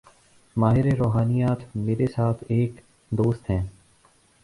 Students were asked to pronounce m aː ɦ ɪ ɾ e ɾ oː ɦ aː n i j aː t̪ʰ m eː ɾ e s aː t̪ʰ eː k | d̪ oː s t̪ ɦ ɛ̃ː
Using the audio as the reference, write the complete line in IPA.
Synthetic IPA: m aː ɦ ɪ ɾ e ɾ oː ɦ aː n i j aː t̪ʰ m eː ɾ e s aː t̪ʰ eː k | d̪ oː s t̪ ɦ ɛ̃ː